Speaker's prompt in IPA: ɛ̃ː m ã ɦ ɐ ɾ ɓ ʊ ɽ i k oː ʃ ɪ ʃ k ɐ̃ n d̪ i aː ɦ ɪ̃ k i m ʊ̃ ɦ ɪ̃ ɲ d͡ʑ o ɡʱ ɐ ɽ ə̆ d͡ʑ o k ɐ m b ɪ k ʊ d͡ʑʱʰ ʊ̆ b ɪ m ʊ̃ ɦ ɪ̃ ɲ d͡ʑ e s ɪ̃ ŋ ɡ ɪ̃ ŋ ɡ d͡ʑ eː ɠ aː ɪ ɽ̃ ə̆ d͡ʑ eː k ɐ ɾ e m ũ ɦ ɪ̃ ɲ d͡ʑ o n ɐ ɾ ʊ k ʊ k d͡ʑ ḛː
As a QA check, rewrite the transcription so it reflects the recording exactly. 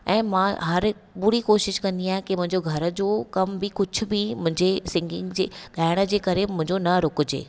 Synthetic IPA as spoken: ɛ̃ː m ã ɦ ɐ ɾ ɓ ʊ ɽ i k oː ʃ ɪ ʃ k ɐ̃ n d̪ i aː ɦ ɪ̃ k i m ʊ̃ ɦ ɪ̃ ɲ d͡ʑ o ɡʱ ɐ ɾ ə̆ d͡ʑ o k ɐ m b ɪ k ʊ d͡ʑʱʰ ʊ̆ b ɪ m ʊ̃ ɦ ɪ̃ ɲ d͡ʑ e s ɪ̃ ŋ ɡ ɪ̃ ŋ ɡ d͡ʑ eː ɠ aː ɪ ɽ̃ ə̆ d͡ʑ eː k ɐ ɾ e m ʊ̃ ɦ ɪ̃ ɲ d͡ʑ o n ɐ ɾ ʊ k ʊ d͡ʑ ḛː